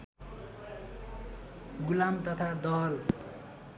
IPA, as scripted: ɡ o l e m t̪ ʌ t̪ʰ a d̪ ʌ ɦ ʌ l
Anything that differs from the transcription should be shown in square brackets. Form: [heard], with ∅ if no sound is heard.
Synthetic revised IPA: ɡ [u] l [a] m t̪ ʌ t̪ʰ a d̪ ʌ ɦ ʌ l